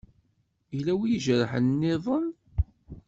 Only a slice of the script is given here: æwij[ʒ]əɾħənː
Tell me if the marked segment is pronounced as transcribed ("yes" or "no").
yes